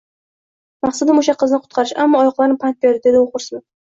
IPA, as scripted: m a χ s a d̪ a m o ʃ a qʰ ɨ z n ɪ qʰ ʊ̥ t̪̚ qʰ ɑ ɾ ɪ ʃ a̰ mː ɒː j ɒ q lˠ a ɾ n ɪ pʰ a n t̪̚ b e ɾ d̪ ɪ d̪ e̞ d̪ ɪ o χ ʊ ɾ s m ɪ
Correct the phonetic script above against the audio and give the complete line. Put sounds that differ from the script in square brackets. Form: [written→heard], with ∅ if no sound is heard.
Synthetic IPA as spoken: m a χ s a d̪ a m o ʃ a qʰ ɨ z n ɪ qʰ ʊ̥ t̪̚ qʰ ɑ ɾ ɪ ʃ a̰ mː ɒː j ɒ q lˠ a ɾ n ɪ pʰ a n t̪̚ b e ɾ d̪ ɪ d̪ e̞ d̪ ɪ o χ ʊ ɾ s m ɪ